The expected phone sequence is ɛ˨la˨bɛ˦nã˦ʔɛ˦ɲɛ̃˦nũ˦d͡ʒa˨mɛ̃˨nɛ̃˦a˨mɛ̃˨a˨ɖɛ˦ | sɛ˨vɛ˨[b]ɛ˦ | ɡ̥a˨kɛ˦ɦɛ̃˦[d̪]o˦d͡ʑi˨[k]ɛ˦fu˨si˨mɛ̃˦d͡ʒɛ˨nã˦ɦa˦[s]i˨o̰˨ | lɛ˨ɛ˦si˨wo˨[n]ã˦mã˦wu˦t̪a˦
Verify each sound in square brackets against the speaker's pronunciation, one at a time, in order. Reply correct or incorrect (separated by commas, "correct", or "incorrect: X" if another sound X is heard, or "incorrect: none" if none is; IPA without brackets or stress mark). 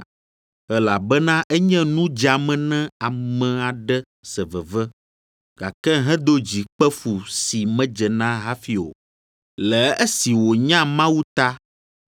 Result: incorrect: v, correct, incorrect: k͡p, incorrect: f, incorrect: ɲ